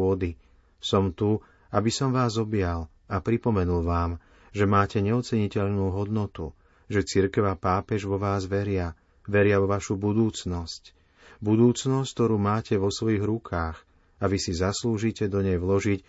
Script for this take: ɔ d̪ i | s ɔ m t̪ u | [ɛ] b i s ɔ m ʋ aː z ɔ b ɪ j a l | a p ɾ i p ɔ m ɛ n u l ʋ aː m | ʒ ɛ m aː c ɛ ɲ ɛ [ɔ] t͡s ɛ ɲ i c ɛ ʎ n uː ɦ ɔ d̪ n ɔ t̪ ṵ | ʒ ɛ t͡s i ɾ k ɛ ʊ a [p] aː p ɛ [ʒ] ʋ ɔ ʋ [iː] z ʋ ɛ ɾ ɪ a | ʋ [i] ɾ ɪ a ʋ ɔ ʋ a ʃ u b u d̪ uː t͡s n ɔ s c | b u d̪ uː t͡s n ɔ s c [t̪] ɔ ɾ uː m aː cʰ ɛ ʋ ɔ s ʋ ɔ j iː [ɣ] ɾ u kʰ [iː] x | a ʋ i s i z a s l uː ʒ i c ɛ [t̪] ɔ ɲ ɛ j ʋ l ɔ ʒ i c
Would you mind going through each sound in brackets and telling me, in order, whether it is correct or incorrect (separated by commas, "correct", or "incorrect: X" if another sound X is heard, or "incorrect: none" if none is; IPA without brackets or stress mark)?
incorrect: a, correct, correct, correct, incorrect: aː, incorrect: ɛ, correct, correct, incorrect: aː, incorrect: d̪